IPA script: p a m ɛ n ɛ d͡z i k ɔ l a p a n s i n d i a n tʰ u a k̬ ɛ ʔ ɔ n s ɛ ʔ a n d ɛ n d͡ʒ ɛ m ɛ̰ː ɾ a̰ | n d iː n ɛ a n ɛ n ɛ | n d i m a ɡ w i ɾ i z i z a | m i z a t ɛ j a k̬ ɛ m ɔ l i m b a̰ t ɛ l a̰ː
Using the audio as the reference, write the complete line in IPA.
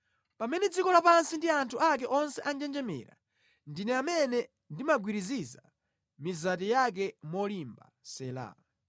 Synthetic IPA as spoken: p a m ɛ n ɛ d͡z i k ɔ l a p a n s i n d i a n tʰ u a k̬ ɛ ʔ ɔ n s ɛ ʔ a n d͡ʒ ɛ n d͡ʒ ɛ m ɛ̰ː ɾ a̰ | n d i n ɛ a m ɛ n ɛ | n d i m a ɡ w i ɾ i z i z a | m i z a t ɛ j a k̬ ɛ m ɔ l i m b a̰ s ɛ l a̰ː